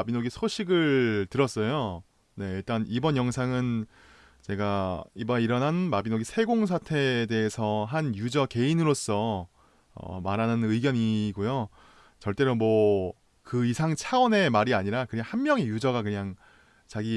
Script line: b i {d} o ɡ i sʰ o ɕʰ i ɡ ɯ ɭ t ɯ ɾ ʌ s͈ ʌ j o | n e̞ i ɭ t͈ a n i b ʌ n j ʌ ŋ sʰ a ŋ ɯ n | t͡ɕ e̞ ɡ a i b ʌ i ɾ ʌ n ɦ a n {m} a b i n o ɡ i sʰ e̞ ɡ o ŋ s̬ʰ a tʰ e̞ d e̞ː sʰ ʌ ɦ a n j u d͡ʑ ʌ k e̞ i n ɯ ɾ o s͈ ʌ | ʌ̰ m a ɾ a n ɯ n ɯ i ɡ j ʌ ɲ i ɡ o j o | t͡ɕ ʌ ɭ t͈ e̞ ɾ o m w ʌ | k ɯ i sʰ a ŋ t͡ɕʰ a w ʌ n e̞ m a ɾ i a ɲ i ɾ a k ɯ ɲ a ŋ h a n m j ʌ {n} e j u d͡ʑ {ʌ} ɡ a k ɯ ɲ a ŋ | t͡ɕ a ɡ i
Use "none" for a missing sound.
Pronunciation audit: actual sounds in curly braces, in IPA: n, m, ŋ, ʌ

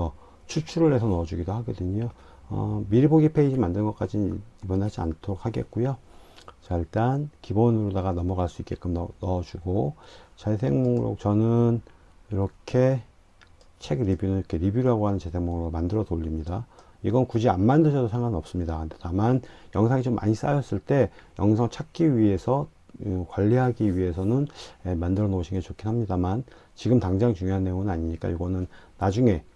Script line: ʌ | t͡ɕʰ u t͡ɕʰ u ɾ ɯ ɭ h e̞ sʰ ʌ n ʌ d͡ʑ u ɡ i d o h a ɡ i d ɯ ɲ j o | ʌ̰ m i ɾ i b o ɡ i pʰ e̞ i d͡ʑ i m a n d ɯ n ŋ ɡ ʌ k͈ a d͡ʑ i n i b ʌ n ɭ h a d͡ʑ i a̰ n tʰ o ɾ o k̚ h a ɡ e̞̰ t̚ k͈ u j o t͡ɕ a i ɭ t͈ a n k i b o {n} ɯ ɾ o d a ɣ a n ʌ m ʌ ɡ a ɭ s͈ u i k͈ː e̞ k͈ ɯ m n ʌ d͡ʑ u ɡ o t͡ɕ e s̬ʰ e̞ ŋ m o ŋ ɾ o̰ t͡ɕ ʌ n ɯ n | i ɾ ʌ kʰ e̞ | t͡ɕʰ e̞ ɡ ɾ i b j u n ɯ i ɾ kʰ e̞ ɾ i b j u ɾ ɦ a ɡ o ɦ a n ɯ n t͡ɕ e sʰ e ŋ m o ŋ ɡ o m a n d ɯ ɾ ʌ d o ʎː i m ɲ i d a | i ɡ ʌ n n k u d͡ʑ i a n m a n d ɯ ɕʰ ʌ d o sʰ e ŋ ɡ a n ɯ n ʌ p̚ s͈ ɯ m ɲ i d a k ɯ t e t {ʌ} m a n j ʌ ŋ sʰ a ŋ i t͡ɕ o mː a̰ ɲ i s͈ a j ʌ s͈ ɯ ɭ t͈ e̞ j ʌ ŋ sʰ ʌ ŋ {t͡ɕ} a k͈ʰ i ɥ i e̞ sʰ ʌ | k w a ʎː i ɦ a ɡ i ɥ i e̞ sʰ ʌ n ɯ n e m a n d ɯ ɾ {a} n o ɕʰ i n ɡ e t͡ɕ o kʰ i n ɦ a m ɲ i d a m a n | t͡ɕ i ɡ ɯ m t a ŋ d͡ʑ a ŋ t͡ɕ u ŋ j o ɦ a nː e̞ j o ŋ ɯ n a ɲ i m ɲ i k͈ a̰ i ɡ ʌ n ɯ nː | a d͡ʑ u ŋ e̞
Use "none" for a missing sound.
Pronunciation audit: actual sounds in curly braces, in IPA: n, a, t͡ɕʰ, ʌ

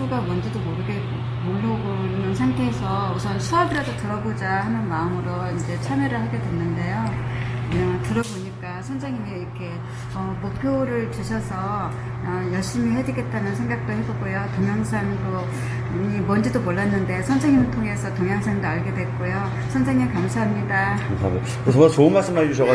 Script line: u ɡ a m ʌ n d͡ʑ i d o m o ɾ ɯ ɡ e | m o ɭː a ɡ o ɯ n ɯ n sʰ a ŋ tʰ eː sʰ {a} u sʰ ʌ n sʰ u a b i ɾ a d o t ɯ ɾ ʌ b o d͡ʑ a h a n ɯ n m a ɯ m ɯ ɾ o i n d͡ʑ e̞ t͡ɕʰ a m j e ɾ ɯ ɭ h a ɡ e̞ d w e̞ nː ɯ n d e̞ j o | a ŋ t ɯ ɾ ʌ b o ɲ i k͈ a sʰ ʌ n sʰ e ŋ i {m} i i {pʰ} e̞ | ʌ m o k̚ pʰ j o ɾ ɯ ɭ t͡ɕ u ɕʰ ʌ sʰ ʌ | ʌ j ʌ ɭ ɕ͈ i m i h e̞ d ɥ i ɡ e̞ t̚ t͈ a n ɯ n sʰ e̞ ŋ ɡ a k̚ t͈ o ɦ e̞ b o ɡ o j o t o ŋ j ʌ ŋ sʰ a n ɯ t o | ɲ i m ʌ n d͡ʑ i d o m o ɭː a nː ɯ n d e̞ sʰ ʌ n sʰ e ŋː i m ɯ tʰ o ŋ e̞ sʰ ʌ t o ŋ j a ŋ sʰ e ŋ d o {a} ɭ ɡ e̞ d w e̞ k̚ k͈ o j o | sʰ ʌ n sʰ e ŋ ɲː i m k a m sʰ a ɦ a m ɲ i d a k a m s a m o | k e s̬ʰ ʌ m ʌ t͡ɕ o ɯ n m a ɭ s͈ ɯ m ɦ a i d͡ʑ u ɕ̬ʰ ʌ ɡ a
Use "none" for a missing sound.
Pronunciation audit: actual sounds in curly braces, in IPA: ʌ, m, kʰ, a

